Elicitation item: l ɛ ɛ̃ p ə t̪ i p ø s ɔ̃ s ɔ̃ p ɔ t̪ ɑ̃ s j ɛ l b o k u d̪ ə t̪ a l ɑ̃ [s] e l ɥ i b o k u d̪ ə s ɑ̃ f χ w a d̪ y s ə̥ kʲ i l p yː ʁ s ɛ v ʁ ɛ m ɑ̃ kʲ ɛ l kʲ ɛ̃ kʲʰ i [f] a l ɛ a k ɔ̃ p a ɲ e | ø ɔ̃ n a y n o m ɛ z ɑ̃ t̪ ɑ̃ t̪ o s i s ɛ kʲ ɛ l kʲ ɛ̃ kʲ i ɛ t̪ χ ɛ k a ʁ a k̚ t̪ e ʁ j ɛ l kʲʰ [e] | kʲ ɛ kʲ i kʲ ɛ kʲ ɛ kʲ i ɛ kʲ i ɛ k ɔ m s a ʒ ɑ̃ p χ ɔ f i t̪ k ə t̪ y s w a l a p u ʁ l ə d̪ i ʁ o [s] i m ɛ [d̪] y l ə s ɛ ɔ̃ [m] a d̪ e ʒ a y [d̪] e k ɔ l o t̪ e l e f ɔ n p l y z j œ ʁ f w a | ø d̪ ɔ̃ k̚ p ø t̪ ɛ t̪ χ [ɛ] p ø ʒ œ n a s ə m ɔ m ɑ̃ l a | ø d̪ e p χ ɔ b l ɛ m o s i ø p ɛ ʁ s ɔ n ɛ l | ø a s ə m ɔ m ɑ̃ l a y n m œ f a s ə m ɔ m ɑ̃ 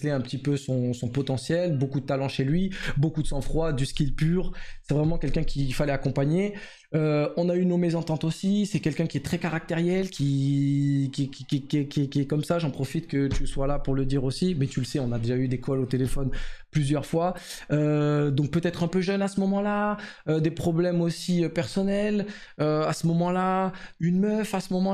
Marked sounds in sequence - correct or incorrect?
incorrect, correct, incorrect, correct, incorrect, incorrect, correct, incorrect

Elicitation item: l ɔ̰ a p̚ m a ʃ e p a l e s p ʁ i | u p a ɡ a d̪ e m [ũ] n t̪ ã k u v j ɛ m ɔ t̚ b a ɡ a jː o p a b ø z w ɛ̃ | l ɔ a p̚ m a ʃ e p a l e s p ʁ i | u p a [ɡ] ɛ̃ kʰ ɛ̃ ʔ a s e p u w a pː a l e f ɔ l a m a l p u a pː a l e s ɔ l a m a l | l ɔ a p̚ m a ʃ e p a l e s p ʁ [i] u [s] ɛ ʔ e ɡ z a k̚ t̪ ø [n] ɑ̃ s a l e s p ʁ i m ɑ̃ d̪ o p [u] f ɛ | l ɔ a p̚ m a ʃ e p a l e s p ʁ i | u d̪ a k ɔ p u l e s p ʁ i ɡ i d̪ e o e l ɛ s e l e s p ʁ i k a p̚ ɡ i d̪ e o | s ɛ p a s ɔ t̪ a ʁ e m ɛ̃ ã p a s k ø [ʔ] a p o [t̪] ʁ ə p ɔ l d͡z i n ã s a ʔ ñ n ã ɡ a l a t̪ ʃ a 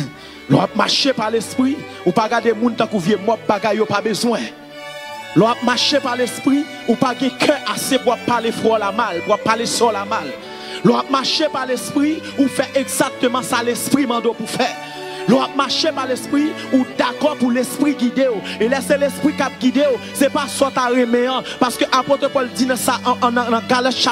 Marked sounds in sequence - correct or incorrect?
correct, correct, correct, incorrect, incorrect, correct, correct, correct

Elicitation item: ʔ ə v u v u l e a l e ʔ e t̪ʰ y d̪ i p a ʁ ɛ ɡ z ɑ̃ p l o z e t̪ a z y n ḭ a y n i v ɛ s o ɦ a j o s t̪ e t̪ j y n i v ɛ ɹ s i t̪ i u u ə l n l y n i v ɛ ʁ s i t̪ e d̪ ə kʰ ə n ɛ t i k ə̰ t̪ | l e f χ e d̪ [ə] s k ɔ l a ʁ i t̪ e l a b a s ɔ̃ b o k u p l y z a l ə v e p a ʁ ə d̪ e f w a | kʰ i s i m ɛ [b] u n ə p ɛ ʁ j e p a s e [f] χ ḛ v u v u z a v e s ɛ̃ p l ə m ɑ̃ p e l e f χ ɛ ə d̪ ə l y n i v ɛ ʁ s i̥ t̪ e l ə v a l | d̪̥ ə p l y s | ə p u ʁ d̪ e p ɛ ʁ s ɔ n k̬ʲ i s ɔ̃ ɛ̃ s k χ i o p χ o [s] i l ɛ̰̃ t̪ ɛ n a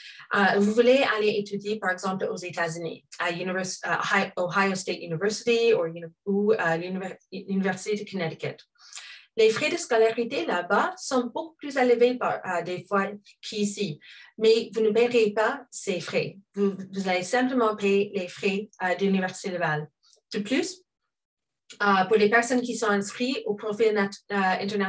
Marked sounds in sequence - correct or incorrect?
correct, incorrect, correct, incorrect

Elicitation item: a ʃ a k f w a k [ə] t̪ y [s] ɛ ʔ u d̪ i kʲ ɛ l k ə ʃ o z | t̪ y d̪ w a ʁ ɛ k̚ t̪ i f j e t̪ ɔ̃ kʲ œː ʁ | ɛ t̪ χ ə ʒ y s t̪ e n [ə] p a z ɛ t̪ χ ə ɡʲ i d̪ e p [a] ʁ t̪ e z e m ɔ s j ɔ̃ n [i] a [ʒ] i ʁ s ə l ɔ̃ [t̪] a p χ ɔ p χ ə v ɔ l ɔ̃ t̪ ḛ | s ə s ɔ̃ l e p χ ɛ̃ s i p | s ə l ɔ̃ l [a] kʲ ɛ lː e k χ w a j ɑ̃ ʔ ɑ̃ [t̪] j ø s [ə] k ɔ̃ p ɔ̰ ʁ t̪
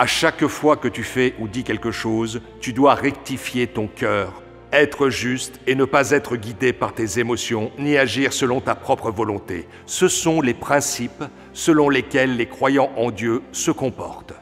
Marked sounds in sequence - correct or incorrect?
correct, incorrect, correct, correct, correct, correct, correct, incorrect, incorrect, correct

